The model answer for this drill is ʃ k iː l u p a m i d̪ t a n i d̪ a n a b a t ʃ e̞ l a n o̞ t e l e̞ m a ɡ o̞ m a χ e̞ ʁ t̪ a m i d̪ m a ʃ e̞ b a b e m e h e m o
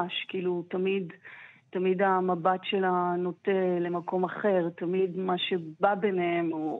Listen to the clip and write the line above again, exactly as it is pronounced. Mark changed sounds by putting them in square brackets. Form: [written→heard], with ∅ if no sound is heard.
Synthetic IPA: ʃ k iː l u [p→t] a m i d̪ t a [n→m] i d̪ a [n→m] a b a t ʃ e̞ l a n o̞ t e l e̞ m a [ɡ→k] o̞ m a χ e̞ ʁ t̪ a m i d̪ m a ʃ e̞ b a b e [m→n] e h e m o